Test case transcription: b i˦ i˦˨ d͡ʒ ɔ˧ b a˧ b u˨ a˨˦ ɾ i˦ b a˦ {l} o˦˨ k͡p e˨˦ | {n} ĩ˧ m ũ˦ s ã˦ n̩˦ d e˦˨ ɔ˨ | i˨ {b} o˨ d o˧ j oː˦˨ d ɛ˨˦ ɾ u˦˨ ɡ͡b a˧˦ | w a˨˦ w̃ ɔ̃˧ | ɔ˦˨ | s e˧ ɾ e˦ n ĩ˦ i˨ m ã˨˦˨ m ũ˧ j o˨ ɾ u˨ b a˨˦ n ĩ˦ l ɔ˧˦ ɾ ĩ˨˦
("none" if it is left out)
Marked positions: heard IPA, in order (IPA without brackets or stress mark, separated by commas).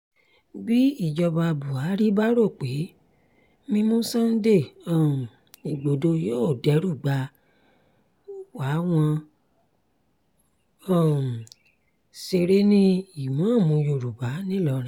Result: ɾ, m, ɡ͡b